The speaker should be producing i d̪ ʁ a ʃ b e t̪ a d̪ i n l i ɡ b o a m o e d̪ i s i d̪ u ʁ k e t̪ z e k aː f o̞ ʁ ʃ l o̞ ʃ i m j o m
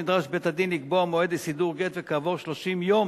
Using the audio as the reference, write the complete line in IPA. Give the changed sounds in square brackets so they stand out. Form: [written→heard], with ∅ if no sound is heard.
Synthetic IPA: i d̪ ʁ a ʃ b e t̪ a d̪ i n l i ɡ b o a m o e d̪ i s i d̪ u ʁ [k→ɡ] e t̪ [z→v] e k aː [f→v] o̞ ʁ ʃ l o̞ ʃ i m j o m